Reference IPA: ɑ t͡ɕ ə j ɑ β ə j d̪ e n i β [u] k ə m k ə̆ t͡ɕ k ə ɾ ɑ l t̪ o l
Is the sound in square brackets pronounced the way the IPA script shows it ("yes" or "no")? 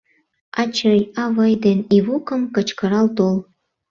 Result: yes